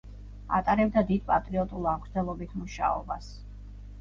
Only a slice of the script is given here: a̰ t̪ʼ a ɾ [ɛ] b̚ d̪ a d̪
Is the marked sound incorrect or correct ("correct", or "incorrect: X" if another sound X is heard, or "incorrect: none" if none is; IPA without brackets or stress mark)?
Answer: correct